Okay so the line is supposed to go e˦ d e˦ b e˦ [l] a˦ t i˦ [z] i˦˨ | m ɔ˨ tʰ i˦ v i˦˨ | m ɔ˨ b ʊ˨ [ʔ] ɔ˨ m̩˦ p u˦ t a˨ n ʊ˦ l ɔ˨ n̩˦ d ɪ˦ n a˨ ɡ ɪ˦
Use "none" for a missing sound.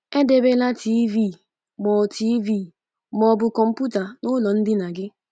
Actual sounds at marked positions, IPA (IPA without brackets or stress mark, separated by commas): l, v, k